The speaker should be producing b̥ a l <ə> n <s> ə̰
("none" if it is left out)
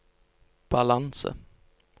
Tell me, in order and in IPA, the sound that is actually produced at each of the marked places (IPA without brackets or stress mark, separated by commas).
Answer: a, s